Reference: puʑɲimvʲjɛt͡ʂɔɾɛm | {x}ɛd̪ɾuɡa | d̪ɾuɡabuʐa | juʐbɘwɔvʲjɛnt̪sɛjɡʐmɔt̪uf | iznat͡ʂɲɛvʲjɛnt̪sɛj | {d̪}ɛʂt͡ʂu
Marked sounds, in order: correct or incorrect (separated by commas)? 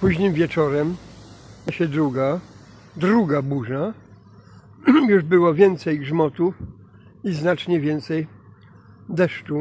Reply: incorrect, correct